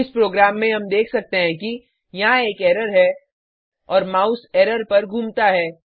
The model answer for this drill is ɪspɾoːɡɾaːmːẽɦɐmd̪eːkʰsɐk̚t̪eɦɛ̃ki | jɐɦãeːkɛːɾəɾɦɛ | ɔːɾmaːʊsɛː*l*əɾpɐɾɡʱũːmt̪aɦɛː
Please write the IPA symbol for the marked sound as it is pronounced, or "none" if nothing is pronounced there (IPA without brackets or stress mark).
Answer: ɾ